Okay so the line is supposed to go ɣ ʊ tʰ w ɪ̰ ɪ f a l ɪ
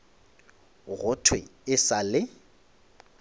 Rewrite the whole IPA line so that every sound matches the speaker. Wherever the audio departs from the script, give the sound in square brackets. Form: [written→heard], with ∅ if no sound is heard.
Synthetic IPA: ɣ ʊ tʰ w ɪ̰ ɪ [f→s] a l ɪ